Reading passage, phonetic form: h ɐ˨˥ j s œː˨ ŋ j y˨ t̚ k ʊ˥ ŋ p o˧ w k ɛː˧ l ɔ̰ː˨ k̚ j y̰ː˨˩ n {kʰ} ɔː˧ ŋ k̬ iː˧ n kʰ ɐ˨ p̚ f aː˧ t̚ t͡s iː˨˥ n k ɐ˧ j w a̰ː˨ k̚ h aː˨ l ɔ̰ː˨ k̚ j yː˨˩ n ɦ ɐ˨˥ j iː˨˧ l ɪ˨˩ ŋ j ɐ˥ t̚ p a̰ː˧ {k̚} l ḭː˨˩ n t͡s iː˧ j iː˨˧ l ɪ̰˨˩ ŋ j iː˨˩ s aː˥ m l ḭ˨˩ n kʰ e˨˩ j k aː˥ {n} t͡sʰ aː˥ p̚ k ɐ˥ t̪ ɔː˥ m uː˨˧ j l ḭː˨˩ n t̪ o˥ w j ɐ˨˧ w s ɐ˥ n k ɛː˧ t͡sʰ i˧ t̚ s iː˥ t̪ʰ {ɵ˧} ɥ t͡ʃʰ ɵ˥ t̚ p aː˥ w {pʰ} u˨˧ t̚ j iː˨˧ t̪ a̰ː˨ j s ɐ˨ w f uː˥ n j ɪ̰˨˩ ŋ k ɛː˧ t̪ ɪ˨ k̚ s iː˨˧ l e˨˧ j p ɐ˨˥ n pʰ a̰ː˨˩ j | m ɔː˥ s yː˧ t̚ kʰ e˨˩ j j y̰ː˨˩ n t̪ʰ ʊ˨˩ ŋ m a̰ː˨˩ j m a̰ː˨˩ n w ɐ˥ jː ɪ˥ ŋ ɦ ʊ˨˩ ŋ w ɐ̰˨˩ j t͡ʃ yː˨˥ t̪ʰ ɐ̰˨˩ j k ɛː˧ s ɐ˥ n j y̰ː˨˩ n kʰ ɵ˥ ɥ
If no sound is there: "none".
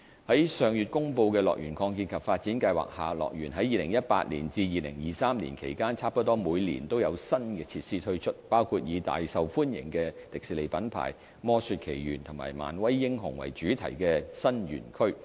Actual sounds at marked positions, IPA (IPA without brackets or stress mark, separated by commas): kʰ, t̚, n, ɵ˥, kʰ